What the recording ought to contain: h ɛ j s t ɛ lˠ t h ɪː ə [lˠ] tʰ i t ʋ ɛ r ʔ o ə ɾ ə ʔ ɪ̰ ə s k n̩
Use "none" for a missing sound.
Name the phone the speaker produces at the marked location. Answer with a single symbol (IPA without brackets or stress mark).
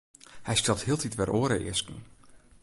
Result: lˠ